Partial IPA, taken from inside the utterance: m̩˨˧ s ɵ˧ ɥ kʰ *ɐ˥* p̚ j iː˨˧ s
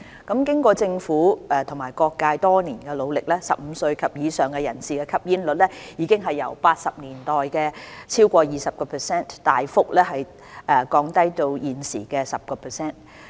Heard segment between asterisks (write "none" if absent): ɐ˨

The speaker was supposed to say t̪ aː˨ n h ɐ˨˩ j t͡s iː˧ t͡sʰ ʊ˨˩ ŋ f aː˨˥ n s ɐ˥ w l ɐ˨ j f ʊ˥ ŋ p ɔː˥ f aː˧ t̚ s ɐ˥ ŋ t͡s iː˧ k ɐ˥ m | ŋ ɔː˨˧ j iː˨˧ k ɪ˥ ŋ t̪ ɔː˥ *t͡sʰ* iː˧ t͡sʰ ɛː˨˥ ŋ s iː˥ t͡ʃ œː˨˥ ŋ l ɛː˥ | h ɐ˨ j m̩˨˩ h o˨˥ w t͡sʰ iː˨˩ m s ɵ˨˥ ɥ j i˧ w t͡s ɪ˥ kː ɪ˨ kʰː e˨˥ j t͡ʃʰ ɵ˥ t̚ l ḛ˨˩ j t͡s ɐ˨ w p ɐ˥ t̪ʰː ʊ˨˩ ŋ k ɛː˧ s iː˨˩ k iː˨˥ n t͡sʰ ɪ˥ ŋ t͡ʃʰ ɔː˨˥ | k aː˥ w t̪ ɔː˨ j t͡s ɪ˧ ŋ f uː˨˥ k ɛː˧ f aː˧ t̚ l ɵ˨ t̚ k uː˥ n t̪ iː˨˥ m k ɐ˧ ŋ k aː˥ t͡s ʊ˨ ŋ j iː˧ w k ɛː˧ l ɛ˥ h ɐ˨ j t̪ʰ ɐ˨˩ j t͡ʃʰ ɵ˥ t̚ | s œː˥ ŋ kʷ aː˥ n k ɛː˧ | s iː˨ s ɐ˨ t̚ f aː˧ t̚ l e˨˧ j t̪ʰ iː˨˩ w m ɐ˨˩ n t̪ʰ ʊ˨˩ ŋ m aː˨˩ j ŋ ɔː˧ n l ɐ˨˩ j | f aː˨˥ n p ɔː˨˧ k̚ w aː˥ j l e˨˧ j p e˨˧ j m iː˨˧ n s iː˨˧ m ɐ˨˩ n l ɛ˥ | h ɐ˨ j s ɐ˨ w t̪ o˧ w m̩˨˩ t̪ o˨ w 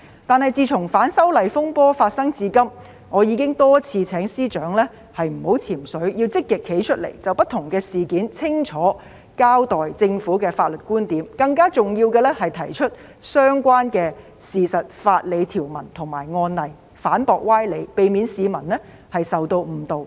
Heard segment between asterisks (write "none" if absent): t͡sʰ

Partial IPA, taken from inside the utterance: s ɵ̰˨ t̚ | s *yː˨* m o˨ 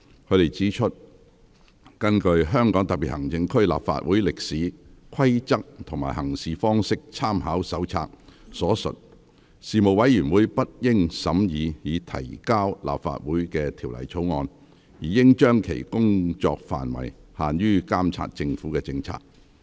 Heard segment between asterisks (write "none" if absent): iː˨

